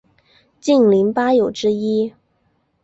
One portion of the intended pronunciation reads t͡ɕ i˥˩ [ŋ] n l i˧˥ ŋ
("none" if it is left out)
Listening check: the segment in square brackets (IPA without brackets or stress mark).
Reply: none